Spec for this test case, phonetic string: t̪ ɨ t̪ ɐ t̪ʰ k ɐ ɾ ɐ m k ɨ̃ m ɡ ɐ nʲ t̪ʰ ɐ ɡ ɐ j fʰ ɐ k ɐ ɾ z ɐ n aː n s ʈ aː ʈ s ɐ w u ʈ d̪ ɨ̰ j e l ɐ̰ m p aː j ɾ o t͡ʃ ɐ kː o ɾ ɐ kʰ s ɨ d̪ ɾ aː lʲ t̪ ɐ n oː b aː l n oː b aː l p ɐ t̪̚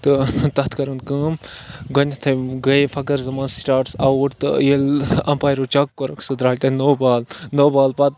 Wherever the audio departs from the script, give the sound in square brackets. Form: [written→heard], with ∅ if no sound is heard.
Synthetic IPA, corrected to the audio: t̪ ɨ t̪ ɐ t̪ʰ k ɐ ɾ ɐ [m→n] k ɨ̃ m ɡ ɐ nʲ t̪ʰ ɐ ɡ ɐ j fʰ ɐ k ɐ ɾ z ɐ [n→m] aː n s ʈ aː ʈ s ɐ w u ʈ [d̪→t̪] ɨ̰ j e l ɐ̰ m p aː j ɾ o t͡ʃ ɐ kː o ɾ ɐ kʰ s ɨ d̪ ɾ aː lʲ t̪ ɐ n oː b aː l n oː b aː l p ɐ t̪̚